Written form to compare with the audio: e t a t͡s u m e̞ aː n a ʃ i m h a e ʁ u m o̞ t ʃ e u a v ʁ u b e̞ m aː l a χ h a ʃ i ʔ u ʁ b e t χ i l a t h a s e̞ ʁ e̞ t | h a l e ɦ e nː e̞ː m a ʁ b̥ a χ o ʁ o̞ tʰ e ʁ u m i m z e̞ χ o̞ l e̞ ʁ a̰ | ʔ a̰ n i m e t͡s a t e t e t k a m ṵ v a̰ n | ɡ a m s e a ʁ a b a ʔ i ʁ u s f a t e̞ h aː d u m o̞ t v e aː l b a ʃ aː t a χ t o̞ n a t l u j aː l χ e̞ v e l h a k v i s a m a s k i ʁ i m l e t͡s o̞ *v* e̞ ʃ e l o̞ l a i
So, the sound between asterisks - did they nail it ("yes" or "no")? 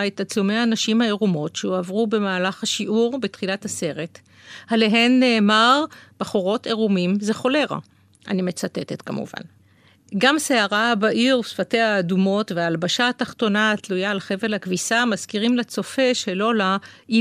no